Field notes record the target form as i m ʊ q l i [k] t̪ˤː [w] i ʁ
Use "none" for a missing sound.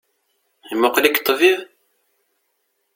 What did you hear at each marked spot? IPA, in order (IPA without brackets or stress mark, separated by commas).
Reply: k, v